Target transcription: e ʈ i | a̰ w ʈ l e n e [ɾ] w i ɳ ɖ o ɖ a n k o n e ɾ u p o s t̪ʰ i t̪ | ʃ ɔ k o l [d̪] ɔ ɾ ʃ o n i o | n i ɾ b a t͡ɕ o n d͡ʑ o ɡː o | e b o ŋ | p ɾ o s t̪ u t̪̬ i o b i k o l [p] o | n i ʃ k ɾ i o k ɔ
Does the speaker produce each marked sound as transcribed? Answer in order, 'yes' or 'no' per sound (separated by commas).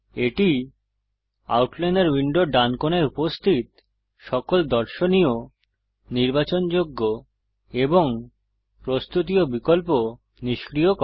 yes, yes, yes